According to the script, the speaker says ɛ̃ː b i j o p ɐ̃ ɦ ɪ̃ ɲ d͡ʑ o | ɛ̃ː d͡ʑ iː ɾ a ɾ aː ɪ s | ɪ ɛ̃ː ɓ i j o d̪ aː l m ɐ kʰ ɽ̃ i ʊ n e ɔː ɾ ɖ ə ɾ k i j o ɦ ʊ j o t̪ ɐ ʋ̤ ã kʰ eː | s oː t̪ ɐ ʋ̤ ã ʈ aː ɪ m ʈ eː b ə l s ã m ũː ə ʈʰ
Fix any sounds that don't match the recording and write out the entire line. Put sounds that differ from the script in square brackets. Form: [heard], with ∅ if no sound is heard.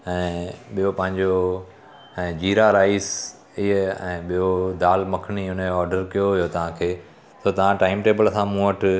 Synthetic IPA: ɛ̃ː [ɓ] i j o p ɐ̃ ɦ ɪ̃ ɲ d͡ʑ o | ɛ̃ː d͡ʑ iː ɾ a ɾ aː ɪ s | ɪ ɛ̃ː ɓ i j o d̪ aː l m ɐ kʰ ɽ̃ i ʊ n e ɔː ɾ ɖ ə ɾ k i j o ɦ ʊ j o t̪ ɐ ʋ̤ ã kʰ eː | s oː t̪ ɐ ʋ̤ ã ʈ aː ɪ m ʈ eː b ə l s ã m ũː ə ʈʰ

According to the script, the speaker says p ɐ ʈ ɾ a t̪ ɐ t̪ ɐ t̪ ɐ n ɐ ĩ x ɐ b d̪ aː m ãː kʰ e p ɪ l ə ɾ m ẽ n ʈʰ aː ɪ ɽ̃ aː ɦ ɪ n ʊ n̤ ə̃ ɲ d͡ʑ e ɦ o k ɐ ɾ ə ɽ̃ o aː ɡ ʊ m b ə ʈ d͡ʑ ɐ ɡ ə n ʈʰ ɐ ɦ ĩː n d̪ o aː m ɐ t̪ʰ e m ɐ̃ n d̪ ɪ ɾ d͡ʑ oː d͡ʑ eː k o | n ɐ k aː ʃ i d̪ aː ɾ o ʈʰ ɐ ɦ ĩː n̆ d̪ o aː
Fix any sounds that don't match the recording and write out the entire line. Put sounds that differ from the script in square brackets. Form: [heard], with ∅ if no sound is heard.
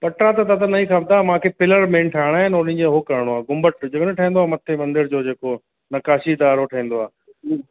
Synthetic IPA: p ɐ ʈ ɾ a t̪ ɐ t̪ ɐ t̪ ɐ n ɐ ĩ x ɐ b d̪ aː m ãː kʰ e p ɪ l ə ɾ m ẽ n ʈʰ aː ɪ ɽ̃ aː ɦ ɪ n ʊ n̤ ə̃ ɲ d͡ʑ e ɦ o k ɐ ɾ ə ɽ̃ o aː ɡ ʊ m b ə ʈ d͡ʑ ɐ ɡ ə n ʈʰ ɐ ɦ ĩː n d̪ o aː m ɐ t̪ʰ e m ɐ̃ n d̪ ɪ ɾ d͡ʑ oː d͡ʑ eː k o | n ɐ k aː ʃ i d̪ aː ɾ o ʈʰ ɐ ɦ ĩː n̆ d̪ o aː

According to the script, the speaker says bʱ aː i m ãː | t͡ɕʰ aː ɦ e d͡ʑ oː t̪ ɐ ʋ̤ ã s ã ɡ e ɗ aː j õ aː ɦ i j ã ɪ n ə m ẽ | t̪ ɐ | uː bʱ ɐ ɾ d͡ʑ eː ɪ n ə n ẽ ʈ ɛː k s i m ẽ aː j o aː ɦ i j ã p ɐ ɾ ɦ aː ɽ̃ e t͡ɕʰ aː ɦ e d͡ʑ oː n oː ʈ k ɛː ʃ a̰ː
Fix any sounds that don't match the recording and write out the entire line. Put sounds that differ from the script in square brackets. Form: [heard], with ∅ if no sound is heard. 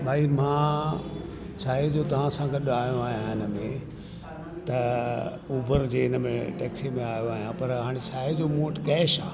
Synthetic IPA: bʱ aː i m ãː | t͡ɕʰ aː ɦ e d͡ʑ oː t̪ ɐ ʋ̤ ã s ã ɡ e ɗ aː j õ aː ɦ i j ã ɪ n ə m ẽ | t̪ ɐ | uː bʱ [ə] ɾ d͡ʑ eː ɪ n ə [m] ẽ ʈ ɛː k s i m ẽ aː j o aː ɦ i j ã p ɐ ɾ ɦ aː ɽ̃ e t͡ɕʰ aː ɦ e d͡ʑ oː [m] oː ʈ k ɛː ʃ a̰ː

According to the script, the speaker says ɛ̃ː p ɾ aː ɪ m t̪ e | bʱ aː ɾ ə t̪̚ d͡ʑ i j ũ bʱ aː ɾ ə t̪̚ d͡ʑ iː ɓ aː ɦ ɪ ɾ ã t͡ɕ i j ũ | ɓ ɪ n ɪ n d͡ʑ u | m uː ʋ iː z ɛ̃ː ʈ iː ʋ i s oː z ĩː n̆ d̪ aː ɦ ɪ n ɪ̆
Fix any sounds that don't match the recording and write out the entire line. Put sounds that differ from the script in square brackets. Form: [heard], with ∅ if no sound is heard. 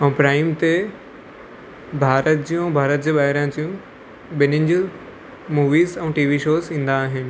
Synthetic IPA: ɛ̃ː p ɾ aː ɪ m t̪ e | bʱ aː ɾ ə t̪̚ d͡ʑ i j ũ bʱ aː ɾ ə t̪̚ d͡ʑ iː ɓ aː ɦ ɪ ɾ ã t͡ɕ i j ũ | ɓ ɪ n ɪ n d͡ʑ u | m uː ʋ iː z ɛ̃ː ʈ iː ʋ i [ʃ] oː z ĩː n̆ d̪ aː ɦ ɪ n ɪ̆

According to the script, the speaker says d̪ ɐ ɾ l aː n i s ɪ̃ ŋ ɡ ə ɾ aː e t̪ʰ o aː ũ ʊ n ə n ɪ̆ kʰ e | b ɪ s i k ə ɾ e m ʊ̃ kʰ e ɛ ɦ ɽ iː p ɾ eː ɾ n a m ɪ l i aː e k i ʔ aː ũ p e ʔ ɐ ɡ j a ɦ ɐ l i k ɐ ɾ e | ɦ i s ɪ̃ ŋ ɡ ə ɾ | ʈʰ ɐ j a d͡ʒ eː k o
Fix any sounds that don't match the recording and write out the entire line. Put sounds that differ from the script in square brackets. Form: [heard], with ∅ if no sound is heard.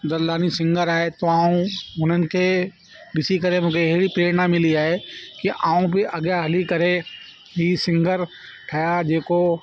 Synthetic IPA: d̪ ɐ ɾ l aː n i s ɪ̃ ŋ ɡ ə ɾ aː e [t̪] o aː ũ ʊ n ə n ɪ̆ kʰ e | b ɪ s i k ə ɾ e m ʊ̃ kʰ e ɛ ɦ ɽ [i] p ɾ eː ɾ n a m ɪ l i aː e k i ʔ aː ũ p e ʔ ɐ ɡ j a ɦ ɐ l i k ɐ ɾ e | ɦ i s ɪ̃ ŋ ɡ ə ɾ | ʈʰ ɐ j a d͡ʒ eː k o

